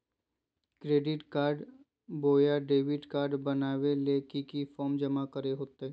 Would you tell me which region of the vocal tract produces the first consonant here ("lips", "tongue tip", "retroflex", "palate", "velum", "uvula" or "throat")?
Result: velum